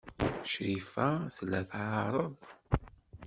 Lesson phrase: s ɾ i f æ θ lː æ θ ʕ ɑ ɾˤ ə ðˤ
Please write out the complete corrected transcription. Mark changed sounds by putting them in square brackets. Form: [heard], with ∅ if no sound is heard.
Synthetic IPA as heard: [ʃ] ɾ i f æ θ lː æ θ ʕ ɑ ɾˤ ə ðˤ

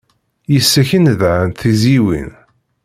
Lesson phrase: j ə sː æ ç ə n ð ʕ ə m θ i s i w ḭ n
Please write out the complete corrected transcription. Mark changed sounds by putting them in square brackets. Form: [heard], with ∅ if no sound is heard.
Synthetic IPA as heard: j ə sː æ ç ə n ð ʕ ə [n] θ i [z] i w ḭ n

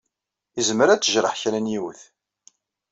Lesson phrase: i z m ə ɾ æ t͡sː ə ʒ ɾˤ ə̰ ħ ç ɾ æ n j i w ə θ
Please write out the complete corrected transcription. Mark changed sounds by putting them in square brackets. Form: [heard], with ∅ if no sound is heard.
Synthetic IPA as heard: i z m ə ɾ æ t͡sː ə ʒ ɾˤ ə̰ ħ ç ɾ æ n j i w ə θ

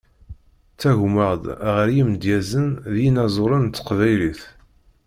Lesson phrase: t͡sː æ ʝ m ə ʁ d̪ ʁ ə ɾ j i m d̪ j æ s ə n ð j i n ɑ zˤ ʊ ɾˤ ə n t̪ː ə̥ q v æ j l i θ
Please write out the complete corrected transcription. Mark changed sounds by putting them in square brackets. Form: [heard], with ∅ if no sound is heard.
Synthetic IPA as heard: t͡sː æ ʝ m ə ʁ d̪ ʁ ə ɾ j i m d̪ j æ [z] ə n ð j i n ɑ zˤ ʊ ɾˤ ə n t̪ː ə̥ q v æ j l i θ

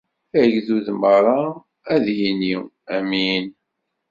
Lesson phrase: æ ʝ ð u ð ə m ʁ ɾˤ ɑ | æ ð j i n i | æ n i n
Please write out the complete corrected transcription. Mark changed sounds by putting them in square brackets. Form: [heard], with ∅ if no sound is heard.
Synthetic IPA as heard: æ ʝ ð u ð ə m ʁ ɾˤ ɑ | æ ð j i n i | æ [m] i n

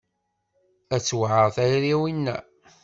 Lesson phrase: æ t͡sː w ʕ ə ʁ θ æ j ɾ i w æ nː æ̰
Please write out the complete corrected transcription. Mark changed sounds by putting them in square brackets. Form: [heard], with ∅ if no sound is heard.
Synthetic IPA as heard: æ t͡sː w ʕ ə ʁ θ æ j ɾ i w [i] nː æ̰

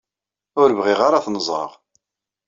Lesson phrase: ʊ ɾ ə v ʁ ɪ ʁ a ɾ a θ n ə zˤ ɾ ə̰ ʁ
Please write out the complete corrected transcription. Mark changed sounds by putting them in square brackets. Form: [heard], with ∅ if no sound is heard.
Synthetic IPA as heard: ʊ ɾ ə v ʁ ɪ ʁ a ɾ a θ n ə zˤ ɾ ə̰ ʁ

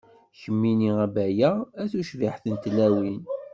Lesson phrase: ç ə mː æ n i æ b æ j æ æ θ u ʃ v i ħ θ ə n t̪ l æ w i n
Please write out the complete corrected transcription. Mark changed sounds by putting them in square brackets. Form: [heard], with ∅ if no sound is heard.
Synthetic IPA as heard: ç ə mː [i] n i æ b æ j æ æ θ u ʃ v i ħ θ ə n t̪ l æ w i n

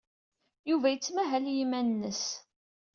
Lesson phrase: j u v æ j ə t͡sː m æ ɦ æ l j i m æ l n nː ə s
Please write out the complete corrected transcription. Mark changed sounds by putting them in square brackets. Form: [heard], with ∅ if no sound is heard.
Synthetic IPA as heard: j u v æ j ə t͡sː m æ ɦ æ l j i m æ [∅] n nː ə s

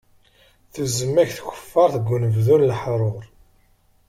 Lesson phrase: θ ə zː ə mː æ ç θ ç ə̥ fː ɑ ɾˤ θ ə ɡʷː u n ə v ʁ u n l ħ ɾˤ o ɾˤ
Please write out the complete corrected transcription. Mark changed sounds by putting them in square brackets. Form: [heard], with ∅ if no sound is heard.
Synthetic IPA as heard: θ ə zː ə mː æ ç θ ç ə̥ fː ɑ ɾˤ θ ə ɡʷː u n ə v [ð] u n l ħ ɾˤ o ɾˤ

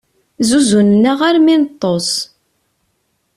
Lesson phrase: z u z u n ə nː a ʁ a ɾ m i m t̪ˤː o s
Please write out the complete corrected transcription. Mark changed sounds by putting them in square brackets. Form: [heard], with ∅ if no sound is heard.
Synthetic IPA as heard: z u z u n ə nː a ʁ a ɾ m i [n] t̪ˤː o s

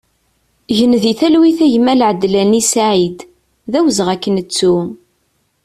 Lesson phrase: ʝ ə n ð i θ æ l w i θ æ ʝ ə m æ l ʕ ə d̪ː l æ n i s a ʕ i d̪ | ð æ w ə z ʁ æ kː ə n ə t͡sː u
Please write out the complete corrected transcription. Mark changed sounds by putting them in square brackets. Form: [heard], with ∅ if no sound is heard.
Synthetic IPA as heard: ʝ ə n ð i θ æ l w i θ æ ʝ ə m æ l ʕ ə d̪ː l æ n i s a ʕ i d̪ | ð æ w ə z ʁ æ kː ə n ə t͡sː u

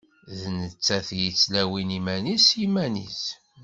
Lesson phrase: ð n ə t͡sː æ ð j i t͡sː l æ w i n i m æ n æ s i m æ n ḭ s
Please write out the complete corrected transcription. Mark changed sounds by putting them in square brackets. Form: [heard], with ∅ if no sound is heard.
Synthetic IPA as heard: ð n ə t͡sː æ [θ] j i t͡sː l æ w i n i m æ n [i] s i m æ n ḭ s

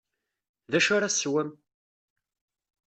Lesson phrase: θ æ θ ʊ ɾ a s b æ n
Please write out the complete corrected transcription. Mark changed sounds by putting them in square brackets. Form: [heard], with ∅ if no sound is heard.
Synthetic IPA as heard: [ð] æ [ʃ] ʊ ɾ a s [w] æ [m]

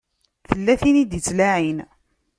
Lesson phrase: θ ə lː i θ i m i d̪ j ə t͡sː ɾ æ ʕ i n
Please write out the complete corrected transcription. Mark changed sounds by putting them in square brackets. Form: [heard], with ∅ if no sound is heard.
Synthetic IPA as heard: θ ə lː [æ] θ i [n] i d̪ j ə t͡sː [l] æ ʕ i n

